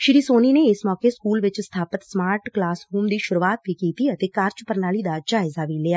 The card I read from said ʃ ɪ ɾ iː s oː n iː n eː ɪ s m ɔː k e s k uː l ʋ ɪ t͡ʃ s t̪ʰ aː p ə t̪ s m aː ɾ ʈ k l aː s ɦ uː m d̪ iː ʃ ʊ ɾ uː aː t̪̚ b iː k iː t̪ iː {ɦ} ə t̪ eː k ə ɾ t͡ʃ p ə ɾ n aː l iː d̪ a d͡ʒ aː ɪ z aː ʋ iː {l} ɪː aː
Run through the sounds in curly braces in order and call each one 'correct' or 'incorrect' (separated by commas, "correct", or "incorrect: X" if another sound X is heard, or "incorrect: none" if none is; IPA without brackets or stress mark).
incorrect: none, correct